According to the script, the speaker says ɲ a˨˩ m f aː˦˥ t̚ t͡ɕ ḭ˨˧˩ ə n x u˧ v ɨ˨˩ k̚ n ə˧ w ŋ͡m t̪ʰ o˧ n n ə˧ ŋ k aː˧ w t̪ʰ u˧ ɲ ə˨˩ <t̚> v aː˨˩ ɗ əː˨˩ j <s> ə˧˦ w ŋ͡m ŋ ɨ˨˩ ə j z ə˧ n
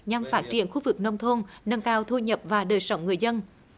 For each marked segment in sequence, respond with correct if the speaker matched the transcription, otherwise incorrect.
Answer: incorrect, correct

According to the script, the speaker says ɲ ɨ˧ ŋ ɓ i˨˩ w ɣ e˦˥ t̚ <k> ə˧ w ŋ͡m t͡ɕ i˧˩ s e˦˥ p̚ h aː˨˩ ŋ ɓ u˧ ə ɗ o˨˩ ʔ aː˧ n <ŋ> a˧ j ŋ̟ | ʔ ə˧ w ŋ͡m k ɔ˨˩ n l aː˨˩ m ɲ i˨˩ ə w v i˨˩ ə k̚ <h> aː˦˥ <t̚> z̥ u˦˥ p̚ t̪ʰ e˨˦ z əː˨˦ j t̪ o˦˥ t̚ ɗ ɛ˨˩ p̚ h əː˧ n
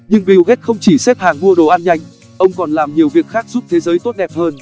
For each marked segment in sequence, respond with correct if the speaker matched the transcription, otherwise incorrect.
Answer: incorrect, incorrect, incorrect, incorrect

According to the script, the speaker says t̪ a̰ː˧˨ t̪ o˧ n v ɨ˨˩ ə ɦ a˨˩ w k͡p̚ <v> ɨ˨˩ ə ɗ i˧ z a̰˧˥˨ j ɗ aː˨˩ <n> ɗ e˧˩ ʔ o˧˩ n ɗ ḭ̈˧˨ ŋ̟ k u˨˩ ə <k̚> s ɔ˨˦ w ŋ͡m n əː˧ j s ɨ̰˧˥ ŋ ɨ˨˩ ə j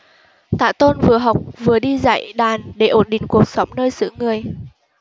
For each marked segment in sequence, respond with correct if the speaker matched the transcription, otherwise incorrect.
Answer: correct, correct, correct

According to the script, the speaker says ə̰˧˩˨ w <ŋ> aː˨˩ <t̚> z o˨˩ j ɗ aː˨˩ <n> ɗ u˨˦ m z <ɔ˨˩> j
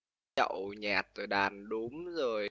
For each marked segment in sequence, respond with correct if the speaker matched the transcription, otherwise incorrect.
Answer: incorrect, correct, correct, incorrect

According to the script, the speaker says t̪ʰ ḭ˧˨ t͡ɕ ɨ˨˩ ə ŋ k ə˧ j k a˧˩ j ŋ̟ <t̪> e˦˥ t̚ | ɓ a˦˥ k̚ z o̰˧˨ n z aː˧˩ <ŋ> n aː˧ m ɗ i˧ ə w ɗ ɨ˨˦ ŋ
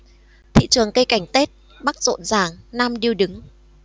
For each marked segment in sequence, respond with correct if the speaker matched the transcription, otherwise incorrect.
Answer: correct, correct

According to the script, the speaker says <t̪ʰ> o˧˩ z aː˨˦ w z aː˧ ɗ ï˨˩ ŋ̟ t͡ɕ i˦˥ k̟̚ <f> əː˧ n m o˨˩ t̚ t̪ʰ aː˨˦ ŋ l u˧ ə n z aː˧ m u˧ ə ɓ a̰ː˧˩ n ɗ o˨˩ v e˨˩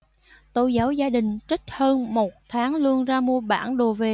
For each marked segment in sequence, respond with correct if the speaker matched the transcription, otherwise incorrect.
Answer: incorrect, incorrect

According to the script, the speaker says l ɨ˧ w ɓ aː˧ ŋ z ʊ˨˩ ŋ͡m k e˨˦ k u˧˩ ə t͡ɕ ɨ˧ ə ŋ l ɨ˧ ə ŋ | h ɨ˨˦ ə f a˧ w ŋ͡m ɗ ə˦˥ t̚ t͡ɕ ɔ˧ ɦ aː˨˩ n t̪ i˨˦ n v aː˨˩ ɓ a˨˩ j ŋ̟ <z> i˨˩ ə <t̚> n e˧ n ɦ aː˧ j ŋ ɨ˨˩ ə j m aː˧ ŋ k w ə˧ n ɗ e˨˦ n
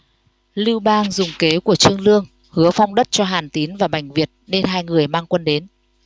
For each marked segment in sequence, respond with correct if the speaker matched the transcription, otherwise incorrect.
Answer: incorrect, correct

